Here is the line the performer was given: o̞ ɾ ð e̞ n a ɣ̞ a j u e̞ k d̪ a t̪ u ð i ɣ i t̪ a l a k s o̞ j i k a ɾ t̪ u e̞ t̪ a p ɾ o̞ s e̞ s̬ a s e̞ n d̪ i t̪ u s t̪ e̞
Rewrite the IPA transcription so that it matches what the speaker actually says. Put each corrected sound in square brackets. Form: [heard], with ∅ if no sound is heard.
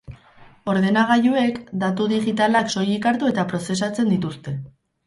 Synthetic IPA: o̞ ɾ ð e̞ n a ɣ̞ a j u e̞ k d̪ a t̪ u ð i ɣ i t̪ a l a k s o̞ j i k a ɾ t̪ u e̞ t̪ a p ɾ o̞ s e̞ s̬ a [t͡s] e̞ n d̪ i t̪ u s t̪ e̞